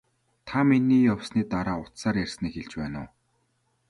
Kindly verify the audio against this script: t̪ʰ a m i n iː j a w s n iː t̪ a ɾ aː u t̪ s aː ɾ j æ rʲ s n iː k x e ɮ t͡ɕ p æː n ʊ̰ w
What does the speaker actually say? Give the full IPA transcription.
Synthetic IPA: t̪ʰ a m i n iː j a w s n iː t̪ a ɾ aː ʊ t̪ s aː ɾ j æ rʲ s n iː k x e ɮ t͡ɕ p æː n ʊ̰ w